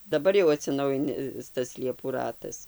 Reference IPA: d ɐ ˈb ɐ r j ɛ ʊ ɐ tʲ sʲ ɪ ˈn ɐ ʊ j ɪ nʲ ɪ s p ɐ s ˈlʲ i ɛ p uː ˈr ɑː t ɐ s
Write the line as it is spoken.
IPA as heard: d ɐ ˈb ɐ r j ɛ ʊ ɐ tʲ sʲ ɪ ˈn ɐ ʊ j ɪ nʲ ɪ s t ɐ s ˈlʲ i ɛ p uː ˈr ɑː t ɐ s